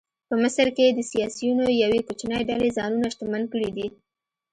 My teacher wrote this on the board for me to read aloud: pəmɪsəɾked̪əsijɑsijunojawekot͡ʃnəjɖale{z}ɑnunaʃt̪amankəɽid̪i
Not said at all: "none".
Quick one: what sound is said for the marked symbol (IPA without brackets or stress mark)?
z